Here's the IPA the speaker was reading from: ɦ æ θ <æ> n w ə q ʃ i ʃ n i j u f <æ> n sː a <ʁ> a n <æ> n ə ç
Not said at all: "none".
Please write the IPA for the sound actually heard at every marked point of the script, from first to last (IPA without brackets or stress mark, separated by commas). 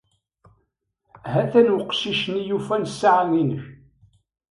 æ, æ, ʕ, i